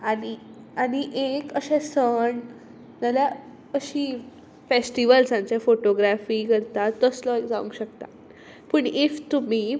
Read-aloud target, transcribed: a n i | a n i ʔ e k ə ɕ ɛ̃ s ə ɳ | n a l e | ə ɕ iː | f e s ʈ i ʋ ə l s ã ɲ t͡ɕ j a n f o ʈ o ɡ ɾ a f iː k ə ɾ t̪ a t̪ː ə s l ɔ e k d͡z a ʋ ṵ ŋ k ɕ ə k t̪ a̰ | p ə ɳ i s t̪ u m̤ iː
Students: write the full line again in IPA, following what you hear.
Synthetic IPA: a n i | a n i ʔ e k ə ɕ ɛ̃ s ə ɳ | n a l a | ə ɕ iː | f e s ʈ i ʋ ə l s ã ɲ t͡ɕ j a f o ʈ o ɡ ɾ a f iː k ə ɾ t̪ a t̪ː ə s l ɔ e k d͡z a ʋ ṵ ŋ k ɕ ə k t̪ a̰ | p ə ɳ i f t̪ u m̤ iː